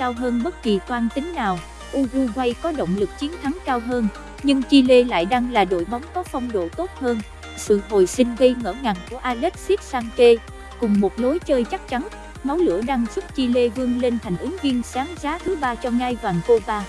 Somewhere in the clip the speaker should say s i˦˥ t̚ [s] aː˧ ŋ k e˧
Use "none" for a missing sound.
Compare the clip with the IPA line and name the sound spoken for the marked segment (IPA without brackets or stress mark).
s